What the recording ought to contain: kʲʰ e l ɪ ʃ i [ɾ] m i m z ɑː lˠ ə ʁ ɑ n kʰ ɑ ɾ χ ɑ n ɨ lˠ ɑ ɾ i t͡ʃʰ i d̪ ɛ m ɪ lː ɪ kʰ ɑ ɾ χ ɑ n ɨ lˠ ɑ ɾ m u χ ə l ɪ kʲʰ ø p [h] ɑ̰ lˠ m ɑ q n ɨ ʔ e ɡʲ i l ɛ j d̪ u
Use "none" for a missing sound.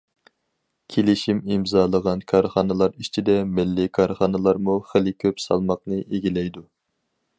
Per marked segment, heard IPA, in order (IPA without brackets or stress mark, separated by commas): none, s